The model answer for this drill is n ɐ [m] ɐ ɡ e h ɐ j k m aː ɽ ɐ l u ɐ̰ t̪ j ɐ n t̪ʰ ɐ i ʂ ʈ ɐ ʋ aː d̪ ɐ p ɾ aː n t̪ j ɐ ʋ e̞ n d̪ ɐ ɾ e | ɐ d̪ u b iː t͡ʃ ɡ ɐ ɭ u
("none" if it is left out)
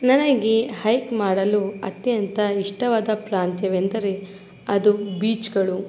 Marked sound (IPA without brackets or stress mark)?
n